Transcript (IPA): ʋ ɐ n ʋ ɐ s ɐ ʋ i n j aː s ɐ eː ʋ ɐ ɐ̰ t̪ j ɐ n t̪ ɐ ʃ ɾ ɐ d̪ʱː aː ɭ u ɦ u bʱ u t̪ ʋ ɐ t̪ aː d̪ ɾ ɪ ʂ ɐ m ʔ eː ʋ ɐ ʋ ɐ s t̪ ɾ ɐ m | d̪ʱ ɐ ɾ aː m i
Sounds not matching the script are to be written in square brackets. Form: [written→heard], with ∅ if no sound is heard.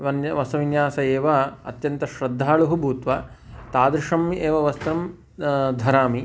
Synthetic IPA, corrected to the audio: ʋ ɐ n ʋ ɐ s ɐ ʋ i n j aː s ɐ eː ʋ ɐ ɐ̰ t̪ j ɐ n t̪ ɐ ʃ ɾ ɐ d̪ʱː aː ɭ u ɦ u bʱ [u→uː] t̪ ʋ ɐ t̪ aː d̪ ɾ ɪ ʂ ɐ m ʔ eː ʋ ɐ ʋ ɐ s t̪ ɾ ɐ m | d̪ʱ ɐ ɾ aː m i